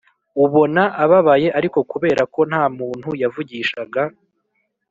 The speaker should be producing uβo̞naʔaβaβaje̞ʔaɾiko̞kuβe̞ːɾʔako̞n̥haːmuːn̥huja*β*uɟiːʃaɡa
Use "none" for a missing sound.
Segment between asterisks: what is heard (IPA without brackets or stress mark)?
v